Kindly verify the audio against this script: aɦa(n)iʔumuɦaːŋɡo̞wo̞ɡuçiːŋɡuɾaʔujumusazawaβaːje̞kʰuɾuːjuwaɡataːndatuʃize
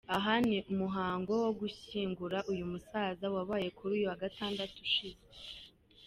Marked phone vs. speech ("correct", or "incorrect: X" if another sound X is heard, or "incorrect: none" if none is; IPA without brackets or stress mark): correct